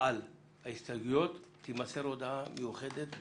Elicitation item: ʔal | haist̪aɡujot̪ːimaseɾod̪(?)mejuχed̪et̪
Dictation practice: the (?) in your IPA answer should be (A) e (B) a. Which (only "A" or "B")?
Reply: B